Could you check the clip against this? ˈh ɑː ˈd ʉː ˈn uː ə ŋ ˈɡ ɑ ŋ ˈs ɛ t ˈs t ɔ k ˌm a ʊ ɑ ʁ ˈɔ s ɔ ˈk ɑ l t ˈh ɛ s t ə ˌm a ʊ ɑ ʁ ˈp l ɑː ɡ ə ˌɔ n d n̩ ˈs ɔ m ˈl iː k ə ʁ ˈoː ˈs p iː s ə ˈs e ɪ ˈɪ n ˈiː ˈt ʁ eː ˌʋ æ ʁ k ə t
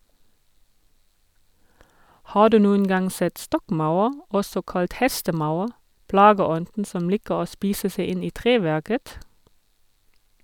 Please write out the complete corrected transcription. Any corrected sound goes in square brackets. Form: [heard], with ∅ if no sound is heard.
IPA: ˈh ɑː ˈd ʉː ˈn uː ə [n] ˈɡ ɑ ŋ ˈs ɛ t ˈs t ɔ k ˌm a ʊ ɑ ʁ ˈɔ s ɔ ˈk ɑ l t ˈh ɛ s t ə ˌm a ʊ ɑ ʁ ˈp l ɑː ɡ ə ˌɔ n d n̩ ˈs ɔ m ˈl iː k ə ʁ ˈoː ˈs p iː s ə ˈs e ɪ ˈɪ n ˈiː ˈt ʁ eː ˌʋ æ ʁ k ə t